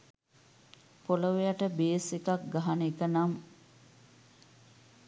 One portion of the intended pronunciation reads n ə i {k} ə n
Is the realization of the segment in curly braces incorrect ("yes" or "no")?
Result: no